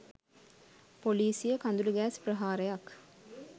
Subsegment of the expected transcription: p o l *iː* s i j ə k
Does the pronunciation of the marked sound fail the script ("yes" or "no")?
no